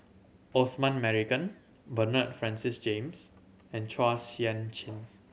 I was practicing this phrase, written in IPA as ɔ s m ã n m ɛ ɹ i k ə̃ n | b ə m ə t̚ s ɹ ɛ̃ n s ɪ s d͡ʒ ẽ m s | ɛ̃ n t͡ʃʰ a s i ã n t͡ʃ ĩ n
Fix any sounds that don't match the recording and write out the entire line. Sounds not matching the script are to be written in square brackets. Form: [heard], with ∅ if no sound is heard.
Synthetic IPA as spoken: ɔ s m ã n m ɛ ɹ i k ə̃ n | b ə [n] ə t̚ [f] ɹ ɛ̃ n s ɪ s d͡ʒ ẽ m s | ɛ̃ n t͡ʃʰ a s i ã n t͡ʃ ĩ n